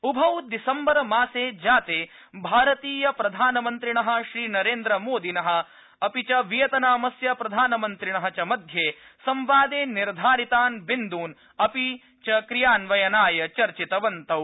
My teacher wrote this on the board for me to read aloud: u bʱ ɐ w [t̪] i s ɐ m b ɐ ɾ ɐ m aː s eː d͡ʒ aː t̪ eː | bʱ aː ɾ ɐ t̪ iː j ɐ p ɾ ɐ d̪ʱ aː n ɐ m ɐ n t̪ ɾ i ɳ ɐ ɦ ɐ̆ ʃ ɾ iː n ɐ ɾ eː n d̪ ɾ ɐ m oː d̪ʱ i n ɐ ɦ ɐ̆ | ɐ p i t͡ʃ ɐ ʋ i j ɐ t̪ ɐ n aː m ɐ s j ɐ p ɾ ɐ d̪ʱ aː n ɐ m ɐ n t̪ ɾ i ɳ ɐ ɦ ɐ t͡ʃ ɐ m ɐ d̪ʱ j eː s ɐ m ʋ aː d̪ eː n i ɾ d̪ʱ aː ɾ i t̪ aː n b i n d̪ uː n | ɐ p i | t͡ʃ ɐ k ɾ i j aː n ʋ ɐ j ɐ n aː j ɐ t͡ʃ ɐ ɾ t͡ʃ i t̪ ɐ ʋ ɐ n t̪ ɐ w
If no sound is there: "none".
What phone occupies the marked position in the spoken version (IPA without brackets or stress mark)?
d̪